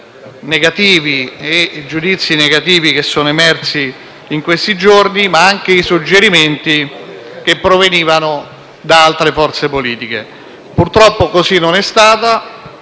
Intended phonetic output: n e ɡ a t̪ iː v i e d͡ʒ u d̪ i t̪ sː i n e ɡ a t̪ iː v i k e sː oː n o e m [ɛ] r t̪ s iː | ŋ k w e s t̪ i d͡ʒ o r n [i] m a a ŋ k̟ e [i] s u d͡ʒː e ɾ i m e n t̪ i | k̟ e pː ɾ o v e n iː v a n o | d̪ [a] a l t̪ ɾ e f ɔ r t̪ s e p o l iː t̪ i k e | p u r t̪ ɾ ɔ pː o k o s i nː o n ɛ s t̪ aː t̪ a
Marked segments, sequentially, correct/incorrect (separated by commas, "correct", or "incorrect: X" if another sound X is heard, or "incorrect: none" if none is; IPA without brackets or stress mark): correct, correct, correct, correct